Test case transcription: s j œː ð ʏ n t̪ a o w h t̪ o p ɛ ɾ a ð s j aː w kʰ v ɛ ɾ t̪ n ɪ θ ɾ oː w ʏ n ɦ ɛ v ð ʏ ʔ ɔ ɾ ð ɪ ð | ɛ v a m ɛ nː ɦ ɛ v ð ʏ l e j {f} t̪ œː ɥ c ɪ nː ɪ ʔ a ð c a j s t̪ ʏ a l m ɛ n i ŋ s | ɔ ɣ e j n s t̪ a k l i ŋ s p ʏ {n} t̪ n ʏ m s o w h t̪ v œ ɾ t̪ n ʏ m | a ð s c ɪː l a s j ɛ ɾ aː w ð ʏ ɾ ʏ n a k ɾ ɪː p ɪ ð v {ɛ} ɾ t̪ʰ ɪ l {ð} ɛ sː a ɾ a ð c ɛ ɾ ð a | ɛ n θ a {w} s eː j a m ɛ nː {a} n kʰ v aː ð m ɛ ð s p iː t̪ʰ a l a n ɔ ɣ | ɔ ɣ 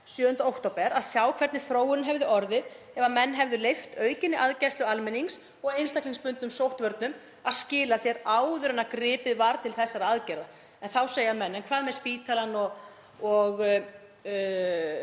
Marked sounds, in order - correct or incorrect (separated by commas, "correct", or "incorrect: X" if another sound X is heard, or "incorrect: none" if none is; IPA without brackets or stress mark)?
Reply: correct, correct, incorrect: a, incorrect: θ, correct, incorrect: ɛ